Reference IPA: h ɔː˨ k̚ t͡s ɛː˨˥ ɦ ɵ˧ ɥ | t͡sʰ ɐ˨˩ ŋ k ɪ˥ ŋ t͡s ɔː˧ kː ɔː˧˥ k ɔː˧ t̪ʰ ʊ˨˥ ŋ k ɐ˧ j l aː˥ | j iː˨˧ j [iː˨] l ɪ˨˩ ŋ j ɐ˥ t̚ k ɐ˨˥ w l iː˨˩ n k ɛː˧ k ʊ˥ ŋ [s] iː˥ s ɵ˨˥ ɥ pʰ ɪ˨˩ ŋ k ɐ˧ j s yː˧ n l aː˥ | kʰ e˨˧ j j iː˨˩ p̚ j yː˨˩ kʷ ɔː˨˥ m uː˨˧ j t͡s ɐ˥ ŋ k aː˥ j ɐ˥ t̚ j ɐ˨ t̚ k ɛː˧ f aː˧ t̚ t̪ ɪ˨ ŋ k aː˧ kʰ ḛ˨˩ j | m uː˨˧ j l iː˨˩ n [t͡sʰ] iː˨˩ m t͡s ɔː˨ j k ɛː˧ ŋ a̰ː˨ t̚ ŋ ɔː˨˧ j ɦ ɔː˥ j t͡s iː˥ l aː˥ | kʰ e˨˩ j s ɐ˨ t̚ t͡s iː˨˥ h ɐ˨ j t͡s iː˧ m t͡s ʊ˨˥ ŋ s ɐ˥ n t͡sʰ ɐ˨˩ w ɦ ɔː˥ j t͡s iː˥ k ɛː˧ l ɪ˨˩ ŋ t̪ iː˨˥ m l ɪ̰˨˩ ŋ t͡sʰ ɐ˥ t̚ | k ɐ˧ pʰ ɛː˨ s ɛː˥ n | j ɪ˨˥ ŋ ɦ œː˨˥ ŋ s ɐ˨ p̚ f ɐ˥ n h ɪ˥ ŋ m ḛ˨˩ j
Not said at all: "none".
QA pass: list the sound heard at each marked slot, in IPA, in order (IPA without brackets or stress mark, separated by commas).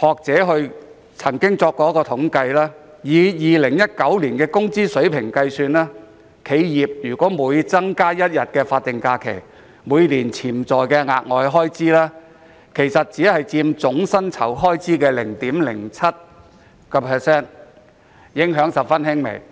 iː˨, t͡s, t͡sʰ